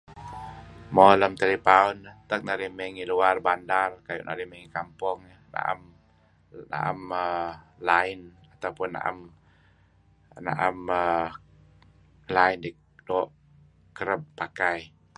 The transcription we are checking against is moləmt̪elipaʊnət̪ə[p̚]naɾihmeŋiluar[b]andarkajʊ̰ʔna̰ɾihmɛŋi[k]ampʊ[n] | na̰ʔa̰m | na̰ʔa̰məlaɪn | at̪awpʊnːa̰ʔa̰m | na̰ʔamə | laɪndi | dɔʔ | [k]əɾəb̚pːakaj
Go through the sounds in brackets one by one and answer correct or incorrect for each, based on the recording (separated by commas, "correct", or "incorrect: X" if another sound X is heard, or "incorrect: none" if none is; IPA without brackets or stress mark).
incorrect: k̚, correct, correct, incorrect: ŋ, correct